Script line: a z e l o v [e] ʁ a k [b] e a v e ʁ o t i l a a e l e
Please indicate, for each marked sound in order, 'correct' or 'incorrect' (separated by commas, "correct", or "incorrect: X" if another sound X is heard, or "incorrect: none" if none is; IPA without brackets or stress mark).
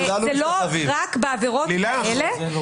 incorrect: i, correct